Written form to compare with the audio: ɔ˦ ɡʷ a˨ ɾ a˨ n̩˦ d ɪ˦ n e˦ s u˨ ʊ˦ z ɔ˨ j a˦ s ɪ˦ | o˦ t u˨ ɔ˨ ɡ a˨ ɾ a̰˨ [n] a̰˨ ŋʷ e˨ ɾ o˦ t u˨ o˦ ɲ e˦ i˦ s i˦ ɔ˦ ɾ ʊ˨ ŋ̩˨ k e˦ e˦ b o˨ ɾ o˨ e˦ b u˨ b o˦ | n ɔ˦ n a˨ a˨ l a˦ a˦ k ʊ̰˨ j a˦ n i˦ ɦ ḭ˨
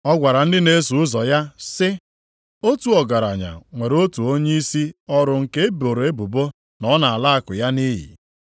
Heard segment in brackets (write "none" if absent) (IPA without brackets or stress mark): ɲ